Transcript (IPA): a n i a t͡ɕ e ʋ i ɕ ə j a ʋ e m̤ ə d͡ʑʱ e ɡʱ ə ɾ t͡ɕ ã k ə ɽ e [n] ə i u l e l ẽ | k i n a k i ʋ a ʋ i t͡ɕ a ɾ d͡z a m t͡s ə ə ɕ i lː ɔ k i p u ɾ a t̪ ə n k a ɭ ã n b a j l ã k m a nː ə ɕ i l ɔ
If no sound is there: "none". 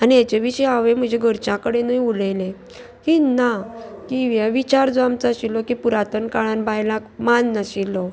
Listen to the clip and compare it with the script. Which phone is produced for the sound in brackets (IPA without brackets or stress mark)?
n